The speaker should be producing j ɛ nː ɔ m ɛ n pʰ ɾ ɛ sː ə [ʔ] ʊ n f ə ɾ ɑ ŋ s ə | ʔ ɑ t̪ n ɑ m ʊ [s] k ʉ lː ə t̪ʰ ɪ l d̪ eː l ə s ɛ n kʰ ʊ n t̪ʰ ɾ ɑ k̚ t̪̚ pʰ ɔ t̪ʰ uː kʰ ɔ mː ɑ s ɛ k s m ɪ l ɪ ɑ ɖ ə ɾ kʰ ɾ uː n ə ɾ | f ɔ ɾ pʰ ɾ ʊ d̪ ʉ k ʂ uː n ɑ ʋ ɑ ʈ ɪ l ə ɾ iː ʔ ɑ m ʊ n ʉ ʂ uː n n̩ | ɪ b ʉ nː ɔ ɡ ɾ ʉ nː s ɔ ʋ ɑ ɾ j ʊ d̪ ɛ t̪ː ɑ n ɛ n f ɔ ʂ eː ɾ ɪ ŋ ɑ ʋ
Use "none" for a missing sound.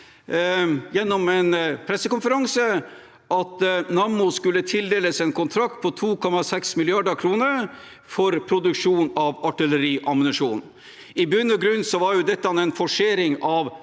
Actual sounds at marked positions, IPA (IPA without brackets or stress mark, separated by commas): k, s